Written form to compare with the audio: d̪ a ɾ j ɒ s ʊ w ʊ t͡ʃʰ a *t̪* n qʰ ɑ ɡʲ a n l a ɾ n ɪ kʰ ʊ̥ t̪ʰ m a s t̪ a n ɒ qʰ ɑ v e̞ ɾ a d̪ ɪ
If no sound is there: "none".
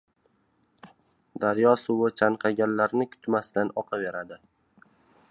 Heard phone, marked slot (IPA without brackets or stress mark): none